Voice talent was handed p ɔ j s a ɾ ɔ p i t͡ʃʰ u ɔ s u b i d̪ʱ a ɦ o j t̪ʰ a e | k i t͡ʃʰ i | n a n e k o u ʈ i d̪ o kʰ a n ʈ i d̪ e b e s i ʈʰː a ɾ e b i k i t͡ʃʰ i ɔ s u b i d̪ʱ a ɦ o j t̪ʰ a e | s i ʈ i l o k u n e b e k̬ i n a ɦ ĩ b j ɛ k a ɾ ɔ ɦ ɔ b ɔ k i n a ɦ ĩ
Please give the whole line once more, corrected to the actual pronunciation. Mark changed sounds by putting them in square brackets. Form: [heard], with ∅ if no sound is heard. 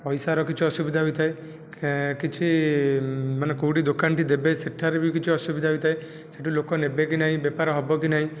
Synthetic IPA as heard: p ɔ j s a ɾ ɔ [k] i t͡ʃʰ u ɔ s u b i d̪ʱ a ɦ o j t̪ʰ a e | k i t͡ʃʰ i | [m] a n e k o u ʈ i d̪ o [k] a n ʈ i d̪ e b e s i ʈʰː a ɾ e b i k i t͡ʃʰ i ɔ s u b i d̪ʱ a ɦ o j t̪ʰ a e | s [e] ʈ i l o k [ɔ] n e b e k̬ i n a ɦ ĩ b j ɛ [p] a ɾ ɔ ɦ ɔ b ɔ k i n a ɦ ĩ